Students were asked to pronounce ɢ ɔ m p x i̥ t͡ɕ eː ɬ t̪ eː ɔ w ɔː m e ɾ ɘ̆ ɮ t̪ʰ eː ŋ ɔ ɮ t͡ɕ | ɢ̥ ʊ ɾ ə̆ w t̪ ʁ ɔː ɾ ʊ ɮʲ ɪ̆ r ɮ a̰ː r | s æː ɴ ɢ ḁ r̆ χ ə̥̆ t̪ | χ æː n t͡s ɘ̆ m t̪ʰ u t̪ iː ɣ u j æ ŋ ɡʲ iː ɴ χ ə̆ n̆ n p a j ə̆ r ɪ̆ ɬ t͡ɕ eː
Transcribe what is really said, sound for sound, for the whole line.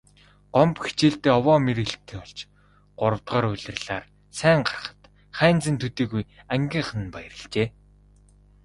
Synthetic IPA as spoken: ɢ ɔ m p x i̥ t͡ɕ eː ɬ t̪ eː ɔ w ɔː m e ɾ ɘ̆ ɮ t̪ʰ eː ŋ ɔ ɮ t͡ɕ | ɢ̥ ʊ ɾ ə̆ w t̪ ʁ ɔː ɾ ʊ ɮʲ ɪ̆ r ɮ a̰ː r | s æː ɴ ɢ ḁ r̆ χ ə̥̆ t̪ | χ æː n t͡s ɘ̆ n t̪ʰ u t̪ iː ɣ u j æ ŋ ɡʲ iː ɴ χ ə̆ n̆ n p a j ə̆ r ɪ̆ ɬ t͡ɕ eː

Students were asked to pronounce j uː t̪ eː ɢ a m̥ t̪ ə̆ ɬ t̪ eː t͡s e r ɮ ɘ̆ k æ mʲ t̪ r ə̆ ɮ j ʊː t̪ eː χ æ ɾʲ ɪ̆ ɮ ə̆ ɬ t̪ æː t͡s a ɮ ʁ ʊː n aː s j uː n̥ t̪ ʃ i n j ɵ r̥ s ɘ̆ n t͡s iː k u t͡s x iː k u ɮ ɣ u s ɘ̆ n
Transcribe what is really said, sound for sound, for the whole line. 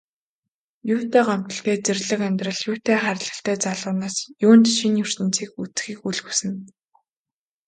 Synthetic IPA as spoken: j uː t̪ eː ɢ a m̥ t̪ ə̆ ɬ t̪ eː t͡s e r ɮ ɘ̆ k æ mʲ t̪ r ə̆ ɮ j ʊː t̪ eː χ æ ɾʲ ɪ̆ ɮ ə̆ ɬ t̪ æː t͡s a ɮ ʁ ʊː n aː s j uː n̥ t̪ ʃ i n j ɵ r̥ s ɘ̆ n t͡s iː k u t͡s x iː k u ɮ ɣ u s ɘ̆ n

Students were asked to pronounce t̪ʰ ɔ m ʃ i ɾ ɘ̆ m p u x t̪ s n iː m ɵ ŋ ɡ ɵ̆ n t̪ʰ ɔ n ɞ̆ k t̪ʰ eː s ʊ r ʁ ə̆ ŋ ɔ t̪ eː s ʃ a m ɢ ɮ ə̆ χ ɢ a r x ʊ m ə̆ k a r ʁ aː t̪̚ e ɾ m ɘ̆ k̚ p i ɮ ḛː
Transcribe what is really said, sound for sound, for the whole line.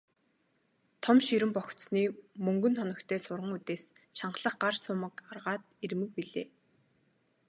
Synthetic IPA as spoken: t̪ʰ ɔ m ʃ i ɾ ɘ̆ m p ɔ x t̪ s n iː m ɵ ŋ ɡ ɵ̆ n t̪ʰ ɔ n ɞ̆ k t̪ʰ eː s ʊ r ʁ ə̆ ŋ u t̪ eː s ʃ a ɴ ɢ ɮ ə̆ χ ɢ a r s ʊ m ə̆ k a r ʁ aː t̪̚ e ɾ m ɘ̆ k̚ p i ɮ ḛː

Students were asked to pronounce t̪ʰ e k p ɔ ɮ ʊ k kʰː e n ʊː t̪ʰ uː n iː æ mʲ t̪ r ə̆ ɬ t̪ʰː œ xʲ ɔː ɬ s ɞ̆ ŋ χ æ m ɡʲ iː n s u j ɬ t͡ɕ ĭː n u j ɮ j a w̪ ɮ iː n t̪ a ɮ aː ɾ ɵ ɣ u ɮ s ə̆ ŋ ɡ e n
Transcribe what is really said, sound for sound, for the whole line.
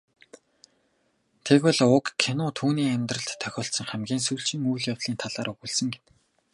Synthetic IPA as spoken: t̪ʰ e k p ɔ ɮ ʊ k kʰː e n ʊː t̪ʰ uː n iː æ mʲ t̪ r ə̆ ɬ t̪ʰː œ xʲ ɔː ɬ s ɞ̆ ŋ χ æ m ɡʲ iː n s u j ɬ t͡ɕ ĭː ŋ u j ɮ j a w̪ ɮ iː n t̪ʰ a ɮ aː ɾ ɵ ɣ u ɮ s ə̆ ŋ ɡ e n

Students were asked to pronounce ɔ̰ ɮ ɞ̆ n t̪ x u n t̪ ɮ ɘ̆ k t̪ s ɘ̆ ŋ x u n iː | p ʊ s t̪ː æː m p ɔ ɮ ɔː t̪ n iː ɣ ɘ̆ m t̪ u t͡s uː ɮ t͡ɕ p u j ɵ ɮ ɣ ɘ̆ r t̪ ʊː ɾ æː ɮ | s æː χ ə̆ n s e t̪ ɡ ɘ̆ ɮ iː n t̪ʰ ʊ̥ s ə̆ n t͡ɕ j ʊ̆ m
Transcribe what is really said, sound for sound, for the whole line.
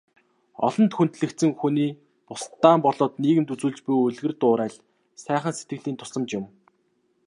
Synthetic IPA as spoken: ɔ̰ ɮ ɞ̆ n t̪ x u n t̪ ɮ ɘ̆ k t̪ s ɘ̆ ŋ x u n iː | p ʊ s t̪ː aː m p ɔ ɮ ɔː t̪ n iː ɣ ɘ̆ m t̪ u t͡s uː ɮ t͡ɕ p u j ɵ ɮ ɣ ɘ̆ r t̪ ʊː ɾ æː ɮ | s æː χ ə̆ n s e t̪ ɡ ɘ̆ ɮ iː n t̪ʰ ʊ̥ s ə̆ m t͡ɕ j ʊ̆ m

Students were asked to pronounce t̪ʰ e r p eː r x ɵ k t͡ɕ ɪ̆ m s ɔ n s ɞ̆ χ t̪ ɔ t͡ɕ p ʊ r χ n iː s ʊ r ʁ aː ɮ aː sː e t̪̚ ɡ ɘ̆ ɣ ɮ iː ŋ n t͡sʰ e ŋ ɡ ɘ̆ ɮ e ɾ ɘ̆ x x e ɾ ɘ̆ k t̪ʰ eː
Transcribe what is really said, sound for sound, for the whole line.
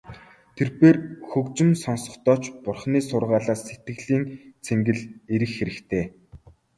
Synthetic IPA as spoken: t̪ʰ e r p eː r x ɵ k t͡ɕ ɪ̆ m s ɔ n s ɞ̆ χ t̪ ɔː t͡ɕ p ʊ r χ n iː s ʊ r ʁ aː ɮ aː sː e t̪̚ ɡ ɘ̆ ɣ ɮ iː n t͡sʰ e ŋ ɡ ɘ̆ ɮ e ɾ ɘ̆ x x e ɾ ɘ̆ k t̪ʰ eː

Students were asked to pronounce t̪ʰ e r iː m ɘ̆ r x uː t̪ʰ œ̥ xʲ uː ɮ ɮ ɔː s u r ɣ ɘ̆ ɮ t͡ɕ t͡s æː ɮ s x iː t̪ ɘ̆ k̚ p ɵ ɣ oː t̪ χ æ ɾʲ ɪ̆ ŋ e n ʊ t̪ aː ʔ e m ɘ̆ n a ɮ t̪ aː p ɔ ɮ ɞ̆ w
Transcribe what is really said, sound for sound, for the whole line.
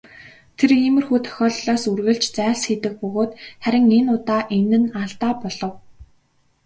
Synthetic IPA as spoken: t̪ʰ e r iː m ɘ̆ r x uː t̪ʰ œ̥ xʲ ɔː ɮ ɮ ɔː s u r ɣ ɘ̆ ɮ t͡ɕ t͡s æː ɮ s x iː t̪ ɘ̆ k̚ p ɵ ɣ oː t̪ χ æ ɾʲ ɪ̆ ŋ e n ʊ t̪ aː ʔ e n ɘ̆ n a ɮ t̪ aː p ɔ ɮ ɞ̆ w

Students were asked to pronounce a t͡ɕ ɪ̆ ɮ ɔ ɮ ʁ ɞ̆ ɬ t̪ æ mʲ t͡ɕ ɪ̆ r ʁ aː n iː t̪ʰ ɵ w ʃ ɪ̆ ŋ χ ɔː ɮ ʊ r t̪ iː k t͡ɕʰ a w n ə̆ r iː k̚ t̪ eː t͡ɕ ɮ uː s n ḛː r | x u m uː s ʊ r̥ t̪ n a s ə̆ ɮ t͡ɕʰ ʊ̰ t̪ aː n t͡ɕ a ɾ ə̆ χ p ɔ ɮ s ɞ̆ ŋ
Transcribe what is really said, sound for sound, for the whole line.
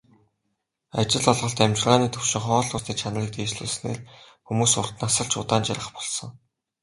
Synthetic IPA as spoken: a t͡ɕ ɪ̆ ɮ ɔ ɮ ʁ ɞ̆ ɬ t̪ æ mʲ t͡ɕ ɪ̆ r ʁ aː n iː t̪ʰ ɵ w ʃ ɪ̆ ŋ χ ɔː ɮ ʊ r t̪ iː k t͡ɕʰ a n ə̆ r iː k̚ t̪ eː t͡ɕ ɮ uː s n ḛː r | x u m uː s ʊ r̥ t̪ n a s ə̆ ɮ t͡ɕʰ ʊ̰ t̪ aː n t͡ɕ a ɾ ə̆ χ p ɔ ɮ s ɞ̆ ŋ

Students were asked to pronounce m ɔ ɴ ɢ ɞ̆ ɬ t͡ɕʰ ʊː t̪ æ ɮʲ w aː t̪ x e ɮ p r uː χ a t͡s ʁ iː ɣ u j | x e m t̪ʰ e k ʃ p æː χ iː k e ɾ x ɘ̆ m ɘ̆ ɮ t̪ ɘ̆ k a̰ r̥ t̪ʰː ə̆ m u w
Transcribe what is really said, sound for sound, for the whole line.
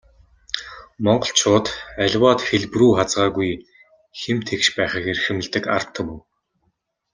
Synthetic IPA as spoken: m ɔ ɴ ɢ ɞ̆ ɬ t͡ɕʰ ʊː t̪ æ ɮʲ w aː t̪ x e ɮ p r uː χ a t͡s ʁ aː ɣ u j | x e m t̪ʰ e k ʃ p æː χ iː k e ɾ x ɘ̆ m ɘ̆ ɮ t̪ ɘ̆ k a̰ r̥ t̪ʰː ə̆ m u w

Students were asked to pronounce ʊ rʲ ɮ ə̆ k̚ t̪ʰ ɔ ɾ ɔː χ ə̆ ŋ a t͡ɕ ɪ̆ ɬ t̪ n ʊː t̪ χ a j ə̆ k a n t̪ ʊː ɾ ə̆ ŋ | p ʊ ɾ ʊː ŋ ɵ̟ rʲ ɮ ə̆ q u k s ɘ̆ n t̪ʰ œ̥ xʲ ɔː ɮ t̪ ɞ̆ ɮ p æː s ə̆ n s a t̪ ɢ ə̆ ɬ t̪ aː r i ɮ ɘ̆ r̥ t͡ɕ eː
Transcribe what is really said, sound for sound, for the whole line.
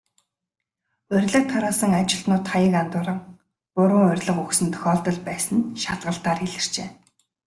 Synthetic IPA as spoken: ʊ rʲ ɮ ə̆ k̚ t̪ʰ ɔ ɾ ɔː s ə̆ ŋ a t͡ɕ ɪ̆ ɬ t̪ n ʊː t̪ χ a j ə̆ k a n t̪ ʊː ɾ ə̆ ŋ | p ʊ ɾ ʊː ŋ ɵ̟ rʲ ɮ ə̆ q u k s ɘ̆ n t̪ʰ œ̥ xʲ ɔː ɮ t̪ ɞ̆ ɮ p æː s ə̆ n ʃ a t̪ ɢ ə̆ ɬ t̪ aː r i ɮ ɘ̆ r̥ t͡ɕ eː

